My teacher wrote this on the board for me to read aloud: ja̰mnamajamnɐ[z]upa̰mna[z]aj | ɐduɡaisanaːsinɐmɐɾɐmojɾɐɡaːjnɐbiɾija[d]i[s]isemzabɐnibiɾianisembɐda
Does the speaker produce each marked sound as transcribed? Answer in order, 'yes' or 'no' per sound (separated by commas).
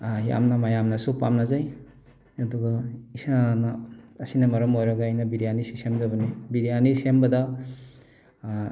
no, yes, no, yes